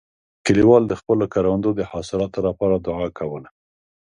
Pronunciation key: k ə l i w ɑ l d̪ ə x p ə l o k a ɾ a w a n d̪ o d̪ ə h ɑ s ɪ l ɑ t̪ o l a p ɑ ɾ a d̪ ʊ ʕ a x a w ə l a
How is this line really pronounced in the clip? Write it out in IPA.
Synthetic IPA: k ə l i w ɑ l d̪ ə x p ə l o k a ɾ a w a n d̪ o d̪ ə h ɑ s ɪ l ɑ t̪ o l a p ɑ ɾ a d̪ ʊ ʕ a k a w ə l a